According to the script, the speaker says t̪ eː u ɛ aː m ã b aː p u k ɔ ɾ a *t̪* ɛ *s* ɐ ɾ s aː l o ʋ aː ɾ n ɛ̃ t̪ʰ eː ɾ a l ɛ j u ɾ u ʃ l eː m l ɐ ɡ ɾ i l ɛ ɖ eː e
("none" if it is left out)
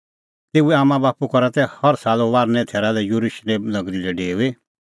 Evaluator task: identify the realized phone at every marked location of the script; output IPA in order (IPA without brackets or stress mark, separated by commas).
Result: t̪, h